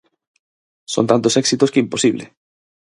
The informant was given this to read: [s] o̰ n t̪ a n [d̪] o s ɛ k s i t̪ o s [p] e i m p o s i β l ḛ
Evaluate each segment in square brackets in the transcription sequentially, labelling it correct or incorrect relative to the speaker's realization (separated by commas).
correct, incorrect, incorrect